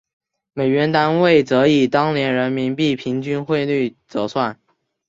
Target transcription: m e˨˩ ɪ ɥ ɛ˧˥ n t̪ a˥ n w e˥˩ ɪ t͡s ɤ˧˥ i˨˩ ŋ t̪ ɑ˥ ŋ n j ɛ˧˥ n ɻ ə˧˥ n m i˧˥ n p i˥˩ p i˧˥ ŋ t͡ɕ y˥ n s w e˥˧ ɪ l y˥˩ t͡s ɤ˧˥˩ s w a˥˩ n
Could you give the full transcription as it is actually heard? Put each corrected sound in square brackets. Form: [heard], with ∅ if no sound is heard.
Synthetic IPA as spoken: m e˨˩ ɪ ɥ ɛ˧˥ n t̪ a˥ n w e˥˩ ɪ t͡s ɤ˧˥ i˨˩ [∅] t̪ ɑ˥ ŋ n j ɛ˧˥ n ɻ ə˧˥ n m i˧˥ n p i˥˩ [pʰ] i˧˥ ŋ t͡ɕ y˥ n [x] w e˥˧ ɪ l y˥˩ t͡s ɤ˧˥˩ s w a˥˩ n